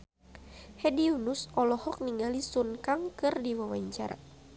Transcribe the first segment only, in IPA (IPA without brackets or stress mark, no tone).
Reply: h